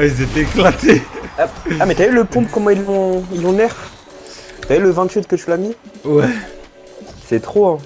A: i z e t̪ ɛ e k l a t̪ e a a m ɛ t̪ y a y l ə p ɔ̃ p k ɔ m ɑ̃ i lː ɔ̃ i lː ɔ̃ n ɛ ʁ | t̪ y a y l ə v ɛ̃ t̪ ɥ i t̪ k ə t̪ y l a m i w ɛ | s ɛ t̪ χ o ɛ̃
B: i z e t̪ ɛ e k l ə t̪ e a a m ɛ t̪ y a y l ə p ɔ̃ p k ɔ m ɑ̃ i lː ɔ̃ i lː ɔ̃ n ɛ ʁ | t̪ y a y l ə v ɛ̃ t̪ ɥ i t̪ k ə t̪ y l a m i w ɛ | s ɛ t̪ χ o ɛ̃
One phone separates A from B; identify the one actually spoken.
A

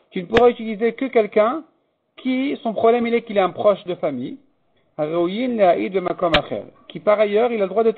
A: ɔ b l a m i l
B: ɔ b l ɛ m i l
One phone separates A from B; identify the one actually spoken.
B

